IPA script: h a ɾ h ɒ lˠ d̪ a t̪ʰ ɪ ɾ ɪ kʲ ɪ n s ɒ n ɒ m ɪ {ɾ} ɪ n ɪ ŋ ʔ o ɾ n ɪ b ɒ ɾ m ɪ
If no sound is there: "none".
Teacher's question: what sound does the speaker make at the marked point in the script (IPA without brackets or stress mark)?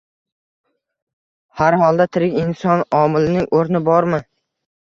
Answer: l